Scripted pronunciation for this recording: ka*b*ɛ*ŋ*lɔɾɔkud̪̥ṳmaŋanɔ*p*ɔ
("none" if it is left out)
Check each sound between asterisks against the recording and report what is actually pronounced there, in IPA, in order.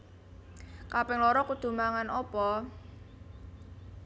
p, ŋ, p

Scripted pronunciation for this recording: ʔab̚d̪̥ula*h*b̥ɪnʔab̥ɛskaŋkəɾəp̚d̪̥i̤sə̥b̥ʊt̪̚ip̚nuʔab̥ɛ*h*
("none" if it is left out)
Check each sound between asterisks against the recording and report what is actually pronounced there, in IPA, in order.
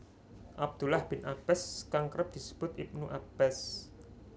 h, s

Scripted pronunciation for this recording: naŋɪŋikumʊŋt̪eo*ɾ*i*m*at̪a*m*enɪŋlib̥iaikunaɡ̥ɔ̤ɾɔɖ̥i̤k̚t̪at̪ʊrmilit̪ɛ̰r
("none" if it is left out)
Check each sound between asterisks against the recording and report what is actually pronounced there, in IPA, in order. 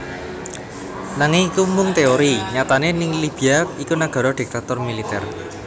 ɾ, ɲ, n

